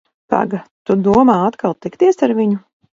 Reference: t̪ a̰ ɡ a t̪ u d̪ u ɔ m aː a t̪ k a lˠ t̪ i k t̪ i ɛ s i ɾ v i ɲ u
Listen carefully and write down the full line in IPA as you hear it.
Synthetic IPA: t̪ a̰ ɡ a t̪ u d̪ u ɔ m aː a t̪ k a lˠ t̪ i k t̪ i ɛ s a ɾ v i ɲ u